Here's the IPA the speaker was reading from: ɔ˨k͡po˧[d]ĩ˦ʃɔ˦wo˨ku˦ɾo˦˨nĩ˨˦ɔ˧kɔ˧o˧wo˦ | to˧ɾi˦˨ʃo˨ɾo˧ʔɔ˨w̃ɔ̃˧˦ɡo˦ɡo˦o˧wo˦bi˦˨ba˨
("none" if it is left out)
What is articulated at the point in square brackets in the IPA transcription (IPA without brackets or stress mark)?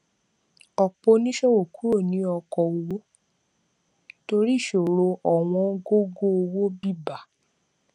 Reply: n